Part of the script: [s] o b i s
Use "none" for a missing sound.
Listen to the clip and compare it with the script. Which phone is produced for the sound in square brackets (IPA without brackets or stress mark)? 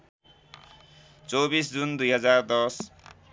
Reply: t͡s